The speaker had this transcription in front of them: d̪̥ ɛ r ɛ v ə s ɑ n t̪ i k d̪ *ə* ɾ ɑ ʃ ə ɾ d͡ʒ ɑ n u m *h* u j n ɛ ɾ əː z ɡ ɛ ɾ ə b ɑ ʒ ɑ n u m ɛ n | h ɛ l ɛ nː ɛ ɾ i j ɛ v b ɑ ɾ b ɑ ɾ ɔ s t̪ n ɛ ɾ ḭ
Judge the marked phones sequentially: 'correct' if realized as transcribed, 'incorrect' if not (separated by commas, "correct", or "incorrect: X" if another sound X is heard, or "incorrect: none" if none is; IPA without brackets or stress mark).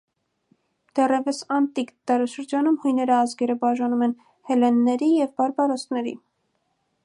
incorrect: ɑ, correct